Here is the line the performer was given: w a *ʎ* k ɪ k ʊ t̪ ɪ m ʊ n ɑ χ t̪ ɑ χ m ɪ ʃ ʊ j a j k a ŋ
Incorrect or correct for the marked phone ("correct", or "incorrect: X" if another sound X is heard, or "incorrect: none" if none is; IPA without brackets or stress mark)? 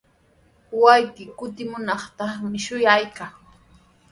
incorrect: j